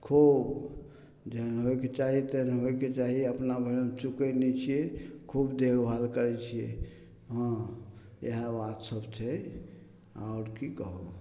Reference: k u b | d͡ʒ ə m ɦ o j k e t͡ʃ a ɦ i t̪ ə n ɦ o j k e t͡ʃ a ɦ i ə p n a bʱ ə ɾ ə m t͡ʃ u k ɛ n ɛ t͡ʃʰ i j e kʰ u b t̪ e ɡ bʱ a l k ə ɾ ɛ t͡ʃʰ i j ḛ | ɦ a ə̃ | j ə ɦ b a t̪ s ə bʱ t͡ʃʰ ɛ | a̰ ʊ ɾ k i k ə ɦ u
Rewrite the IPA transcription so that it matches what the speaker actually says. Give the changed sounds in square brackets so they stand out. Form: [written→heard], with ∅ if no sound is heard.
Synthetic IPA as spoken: [k→kʰ] u b | d͡ʒ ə [m→n] ɦ o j k e t͡ʃ a ɦ i t̪ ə n ɦ o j k e t͡ʃ a ɦ i ə p n a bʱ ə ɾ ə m t͡ʃ u k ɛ n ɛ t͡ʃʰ i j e kʰ u b [t̪→d̪] e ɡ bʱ a l k ə ɾ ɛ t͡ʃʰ i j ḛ | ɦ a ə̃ | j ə ɦ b a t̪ s ə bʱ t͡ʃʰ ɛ | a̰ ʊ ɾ k i k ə ɦ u